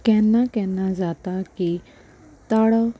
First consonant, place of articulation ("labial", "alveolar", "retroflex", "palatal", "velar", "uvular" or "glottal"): velar